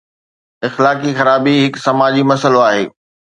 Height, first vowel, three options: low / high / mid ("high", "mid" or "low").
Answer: high